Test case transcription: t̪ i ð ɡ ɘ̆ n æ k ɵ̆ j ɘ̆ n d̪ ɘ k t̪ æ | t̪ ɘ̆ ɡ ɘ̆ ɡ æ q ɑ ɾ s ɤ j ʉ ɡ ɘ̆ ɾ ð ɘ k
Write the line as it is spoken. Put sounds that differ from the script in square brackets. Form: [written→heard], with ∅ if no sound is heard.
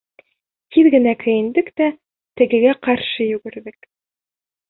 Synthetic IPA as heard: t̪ i ð ɡ ɘ̆ n æ k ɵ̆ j ɘ̆ n d̪ ɘ k t̪ æ | t̪ ɘ̆ ɡ ɘ̆ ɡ æ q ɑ ɾ [s→ʃ] ɤ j ʉ ɡ ɘ̆ ɾ ð ɘ k